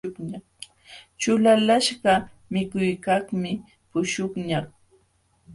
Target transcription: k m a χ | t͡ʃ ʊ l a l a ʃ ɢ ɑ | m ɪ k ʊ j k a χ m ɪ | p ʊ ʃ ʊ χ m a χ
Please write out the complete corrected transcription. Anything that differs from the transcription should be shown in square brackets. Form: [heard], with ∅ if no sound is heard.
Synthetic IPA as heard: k [ɲ] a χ | t͡ʃ ʊ l a l a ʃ ɢ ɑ | m ɪ k ʊ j k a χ m ɪ | p ʊ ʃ ʊ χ [ɲ] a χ